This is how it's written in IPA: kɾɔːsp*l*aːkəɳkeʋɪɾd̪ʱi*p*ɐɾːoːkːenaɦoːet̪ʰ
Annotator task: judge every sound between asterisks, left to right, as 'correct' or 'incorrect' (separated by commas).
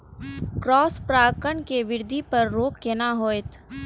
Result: incorrect, correct